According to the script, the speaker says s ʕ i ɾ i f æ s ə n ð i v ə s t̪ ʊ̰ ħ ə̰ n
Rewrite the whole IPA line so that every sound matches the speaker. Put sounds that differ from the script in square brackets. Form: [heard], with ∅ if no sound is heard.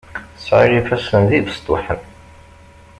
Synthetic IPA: s ʕ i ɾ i f æ s ə n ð i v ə s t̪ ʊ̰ ħ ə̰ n